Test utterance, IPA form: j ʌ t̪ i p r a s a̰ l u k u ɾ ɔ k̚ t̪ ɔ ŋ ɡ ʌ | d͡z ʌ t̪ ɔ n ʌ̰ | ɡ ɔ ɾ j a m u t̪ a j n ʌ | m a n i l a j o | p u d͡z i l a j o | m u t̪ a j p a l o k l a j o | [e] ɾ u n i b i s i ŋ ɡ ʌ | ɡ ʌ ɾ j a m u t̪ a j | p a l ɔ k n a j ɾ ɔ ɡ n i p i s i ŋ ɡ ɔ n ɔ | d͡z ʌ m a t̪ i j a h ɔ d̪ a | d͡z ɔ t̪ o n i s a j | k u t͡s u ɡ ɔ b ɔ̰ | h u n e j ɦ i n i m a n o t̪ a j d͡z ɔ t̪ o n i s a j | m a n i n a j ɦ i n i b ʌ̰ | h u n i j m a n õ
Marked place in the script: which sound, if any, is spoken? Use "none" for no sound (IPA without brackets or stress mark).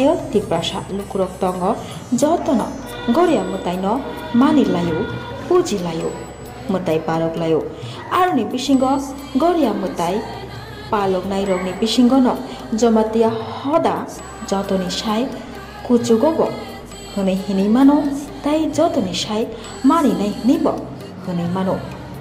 a